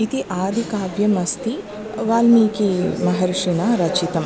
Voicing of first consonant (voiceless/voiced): voiceless